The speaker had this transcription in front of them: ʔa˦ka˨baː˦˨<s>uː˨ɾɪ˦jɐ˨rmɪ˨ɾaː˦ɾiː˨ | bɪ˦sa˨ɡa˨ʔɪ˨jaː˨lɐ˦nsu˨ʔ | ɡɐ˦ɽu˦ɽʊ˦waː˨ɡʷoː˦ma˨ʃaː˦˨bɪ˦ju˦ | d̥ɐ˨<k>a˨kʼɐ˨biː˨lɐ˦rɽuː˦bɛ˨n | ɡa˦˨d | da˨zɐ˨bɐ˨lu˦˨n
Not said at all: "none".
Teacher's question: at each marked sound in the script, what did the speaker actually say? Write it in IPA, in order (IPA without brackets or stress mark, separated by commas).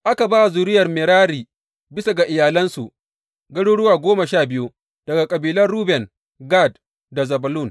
z, ɡ